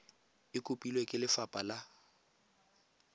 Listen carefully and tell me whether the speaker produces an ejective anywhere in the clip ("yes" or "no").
yes